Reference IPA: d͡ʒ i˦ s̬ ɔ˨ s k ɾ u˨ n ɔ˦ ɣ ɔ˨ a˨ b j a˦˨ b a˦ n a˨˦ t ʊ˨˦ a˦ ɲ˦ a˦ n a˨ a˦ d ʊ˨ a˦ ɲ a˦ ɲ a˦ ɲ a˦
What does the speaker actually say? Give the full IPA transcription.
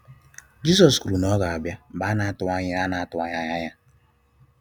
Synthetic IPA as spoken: d͡ʒ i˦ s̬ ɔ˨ s k ɾ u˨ n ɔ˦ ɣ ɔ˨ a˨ b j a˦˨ b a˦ n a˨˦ t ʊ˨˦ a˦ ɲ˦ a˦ n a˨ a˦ t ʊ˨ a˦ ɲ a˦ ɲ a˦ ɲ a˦